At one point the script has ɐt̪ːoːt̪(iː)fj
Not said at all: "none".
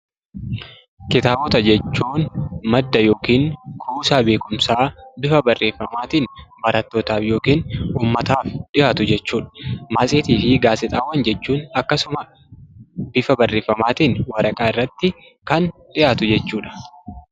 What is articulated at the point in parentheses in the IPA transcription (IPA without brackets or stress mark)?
aː